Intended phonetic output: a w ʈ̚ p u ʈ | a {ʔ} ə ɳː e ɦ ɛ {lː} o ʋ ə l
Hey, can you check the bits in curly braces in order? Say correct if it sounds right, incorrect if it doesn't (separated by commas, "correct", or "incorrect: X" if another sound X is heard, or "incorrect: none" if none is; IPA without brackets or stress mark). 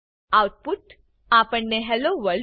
incorrect: p, incorrect: l